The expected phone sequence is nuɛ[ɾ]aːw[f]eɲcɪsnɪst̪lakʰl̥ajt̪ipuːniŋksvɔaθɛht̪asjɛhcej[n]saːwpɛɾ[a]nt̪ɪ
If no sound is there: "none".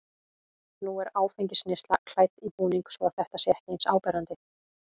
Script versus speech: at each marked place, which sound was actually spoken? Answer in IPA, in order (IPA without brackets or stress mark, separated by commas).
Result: ɾ, f, n, a